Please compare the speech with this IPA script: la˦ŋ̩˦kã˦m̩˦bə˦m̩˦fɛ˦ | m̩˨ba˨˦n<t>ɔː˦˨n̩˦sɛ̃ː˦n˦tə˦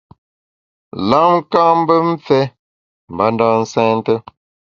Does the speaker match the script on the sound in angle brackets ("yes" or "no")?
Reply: no